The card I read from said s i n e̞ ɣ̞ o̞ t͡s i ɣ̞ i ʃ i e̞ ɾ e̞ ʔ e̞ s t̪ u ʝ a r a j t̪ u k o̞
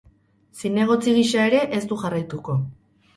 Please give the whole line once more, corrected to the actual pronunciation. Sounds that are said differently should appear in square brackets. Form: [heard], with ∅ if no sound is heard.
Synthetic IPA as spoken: s i n e̞ ɣ̞ o̞ t͡s i ɣ̞ i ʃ [a] e̞ ɾ e̞ ʔ e̞ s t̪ u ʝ a r a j t̪ u k o̞